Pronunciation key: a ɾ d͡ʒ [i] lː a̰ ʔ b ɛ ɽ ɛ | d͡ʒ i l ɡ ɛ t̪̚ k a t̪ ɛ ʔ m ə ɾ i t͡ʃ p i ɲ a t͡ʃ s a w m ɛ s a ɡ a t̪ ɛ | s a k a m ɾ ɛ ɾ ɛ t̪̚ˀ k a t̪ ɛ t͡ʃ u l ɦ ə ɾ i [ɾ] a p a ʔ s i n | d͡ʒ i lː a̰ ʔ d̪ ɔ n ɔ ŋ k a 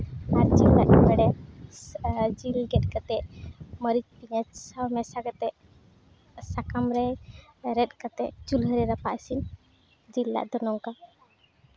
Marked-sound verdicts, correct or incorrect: correct, correct

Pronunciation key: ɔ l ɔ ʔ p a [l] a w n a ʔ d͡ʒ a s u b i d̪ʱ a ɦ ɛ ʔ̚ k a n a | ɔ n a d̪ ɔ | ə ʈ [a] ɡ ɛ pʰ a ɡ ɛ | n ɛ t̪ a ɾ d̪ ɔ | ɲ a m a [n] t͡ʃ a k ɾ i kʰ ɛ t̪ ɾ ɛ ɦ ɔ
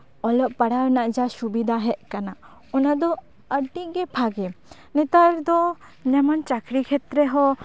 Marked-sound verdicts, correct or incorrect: incorrect, incorrect, correct

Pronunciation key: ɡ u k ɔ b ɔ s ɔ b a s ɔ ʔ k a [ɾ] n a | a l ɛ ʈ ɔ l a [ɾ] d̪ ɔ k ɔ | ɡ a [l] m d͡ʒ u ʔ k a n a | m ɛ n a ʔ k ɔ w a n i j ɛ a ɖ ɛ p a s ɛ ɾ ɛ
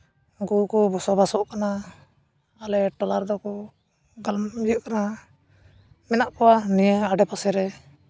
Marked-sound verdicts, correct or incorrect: incorrect, correct, correct

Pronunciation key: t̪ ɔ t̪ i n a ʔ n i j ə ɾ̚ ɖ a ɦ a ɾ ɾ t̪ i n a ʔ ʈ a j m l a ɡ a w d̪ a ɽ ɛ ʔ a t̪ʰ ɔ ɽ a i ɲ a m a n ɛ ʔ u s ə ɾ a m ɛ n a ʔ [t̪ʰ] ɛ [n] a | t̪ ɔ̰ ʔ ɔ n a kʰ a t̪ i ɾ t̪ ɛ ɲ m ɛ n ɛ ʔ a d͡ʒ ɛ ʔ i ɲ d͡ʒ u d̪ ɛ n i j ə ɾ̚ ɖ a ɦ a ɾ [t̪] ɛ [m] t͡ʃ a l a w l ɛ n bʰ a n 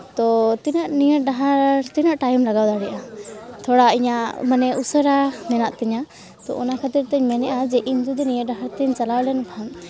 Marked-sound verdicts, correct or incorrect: incorrect, incorrect, correct, incorrect

